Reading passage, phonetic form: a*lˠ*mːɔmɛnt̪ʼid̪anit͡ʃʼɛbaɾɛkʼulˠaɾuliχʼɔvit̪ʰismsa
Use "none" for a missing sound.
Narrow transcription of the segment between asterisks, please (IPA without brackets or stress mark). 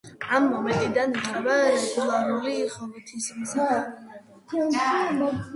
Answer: none